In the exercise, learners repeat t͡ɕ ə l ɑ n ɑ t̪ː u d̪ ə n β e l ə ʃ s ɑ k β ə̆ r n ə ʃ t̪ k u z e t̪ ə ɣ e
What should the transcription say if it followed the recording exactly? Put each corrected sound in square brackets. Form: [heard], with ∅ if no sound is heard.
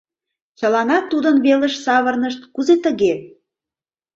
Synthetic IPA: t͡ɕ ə l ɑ n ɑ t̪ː u d̪ ə n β e l ə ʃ s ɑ [∅] β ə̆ r n ə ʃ t̪ k u z e t̪ ə ɣ e